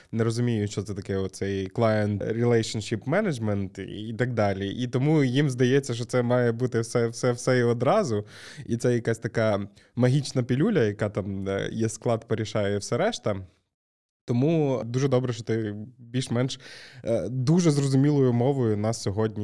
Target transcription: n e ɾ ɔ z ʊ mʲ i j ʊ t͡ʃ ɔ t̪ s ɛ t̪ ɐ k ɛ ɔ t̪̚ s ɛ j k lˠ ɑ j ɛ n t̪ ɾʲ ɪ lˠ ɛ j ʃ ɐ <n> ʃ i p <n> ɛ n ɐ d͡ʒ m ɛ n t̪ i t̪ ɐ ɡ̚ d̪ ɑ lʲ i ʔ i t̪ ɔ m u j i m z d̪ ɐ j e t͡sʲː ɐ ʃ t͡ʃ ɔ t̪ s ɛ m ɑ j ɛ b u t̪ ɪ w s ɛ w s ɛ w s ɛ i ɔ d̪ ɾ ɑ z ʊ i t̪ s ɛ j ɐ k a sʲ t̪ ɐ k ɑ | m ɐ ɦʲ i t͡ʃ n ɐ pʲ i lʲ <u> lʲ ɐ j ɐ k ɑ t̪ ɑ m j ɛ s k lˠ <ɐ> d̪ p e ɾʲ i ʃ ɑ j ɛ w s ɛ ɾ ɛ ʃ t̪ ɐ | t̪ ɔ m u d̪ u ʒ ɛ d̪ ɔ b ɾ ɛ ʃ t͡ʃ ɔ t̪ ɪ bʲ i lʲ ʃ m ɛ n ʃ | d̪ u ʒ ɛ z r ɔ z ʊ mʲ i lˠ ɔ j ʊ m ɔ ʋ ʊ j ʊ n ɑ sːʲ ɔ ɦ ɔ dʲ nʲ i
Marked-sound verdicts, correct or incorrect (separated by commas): correct, incorrect, correct, incorrect